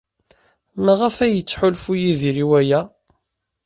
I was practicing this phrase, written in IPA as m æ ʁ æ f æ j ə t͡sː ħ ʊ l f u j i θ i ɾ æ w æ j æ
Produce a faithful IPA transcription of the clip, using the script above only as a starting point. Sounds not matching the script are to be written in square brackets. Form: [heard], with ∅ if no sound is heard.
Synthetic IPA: m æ ʁ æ f æ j ə t͡sː ħ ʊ l f u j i [ð] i ɾ [i] w æ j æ

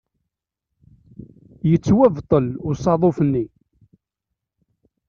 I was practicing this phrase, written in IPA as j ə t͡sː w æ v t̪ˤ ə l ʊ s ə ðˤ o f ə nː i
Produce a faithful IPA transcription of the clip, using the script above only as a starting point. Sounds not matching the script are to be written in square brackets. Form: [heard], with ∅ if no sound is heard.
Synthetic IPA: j ə t͡sː w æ v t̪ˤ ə l ʊ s [ɑ] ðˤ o f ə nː i

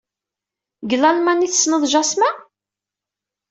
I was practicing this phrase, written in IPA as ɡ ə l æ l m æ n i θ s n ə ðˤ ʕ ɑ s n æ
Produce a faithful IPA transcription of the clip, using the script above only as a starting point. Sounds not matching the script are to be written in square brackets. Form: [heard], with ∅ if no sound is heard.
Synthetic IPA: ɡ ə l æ l m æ n i θ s n ə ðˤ [ʒ] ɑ s [m] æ

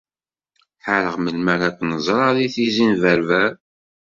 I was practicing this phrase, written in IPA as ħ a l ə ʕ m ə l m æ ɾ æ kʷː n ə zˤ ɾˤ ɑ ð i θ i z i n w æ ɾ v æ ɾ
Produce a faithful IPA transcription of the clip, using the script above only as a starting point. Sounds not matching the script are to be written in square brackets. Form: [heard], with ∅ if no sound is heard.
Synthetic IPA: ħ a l ə [ʁ] m ə l m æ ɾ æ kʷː n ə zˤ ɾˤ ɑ ð i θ i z i n [v] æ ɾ v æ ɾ

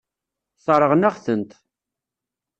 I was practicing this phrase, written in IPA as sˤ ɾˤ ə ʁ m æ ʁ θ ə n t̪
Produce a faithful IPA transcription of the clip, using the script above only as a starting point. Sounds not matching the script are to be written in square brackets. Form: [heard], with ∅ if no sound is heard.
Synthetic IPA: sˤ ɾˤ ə ʁ [n] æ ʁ θ ə n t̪

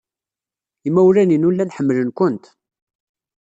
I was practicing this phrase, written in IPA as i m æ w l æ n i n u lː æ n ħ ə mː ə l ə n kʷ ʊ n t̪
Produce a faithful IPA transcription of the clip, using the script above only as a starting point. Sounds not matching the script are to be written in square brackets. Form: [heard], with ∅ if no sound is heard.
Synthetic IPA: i m æ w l æ n i n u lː æ n ħ ə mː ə l ə n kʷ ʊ n t̪

